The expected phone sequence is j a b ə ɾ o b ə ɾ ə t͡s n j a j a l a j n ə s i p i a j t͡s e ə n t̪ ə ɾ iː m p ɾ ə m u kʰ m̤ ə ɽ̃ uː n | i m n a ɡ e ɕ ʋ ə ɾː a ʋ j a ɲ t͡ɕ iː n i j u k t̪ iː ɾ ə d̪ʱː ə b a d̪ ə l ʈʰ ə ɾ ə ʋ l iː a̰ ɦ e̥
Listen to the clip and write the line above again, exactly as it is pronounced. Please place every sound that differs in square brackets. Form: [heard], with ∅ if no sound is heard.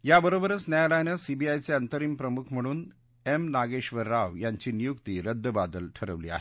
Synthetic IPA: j a b ə ɾ o b ə ɾ ə t͡s n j a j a l a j n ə s i [b] i a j t͡s e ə n t̪ ə ɾ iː m p ɾ ə m u kʰ m̤ ə ɽ̃ uː n | [e] m n a ɡ e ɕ ʋ ə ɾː a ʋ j a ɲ t͡ɕ iː n i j u k t̪ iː ɾ ə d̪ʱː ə b a d̪ ə l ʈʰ ə ɾ ə ʋ l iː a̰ ɦ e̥